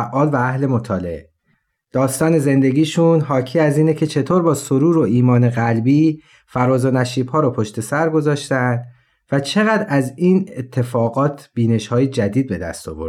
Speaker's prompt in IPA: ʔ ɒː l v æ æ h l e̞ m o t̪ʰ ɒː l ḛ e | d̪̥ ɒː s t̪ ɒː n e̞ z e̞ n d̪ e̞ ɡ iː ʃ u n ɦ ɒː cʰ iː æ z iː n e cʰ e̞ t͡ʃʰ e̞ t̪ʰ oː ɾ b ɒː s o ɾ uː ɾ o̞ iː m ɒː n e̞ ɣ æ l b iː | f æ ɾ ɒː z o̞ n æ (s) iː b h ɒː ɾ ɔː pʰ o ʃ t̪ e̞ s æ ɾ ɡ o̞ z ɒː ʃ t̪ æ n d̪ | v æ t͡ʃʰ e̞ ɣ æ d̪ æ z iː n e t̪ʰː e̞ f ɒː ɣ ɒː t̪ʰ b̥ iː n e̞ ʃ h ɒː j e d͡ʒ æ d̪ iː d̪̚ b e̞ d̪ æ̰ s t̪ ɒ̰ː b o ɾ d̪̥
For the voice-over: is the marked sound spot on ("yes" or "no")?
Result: no